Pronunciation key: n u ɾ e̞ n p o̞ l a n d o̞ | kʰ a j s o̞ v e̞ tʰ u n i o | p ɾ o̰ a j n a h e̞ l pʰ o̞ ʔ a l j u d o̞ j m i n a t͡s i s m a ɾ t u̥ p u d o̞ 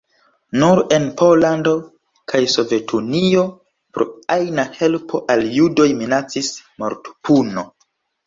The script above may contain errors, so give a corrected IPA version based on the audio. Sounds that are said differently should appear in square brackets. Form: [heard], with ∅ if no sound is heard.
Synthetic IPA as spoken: n u ɾ e̞ n p o̞ l a n d o̞ | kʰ a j s o̞ v e̞ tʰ u n i o | p ɾ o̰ a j n a h e̞ l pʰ o̞ ʔ a l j u d o̞ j m i n a t͡s i s m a ɾ t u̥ p u [n] o̞